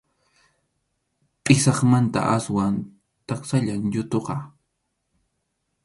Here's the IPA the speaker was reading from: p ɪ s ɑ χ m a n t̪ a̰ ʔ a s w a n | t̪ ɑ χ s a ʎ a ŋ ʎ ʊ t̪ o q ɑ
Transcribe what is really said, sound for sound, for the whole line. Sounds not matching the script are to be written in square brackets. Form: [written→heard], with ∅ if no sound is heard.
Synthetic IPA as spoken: [p→pʼ] ɪ s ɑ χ m a n t̪ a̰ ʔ a s w a n | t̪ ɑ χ s a ʎ a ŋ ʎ ʊ t̪ o q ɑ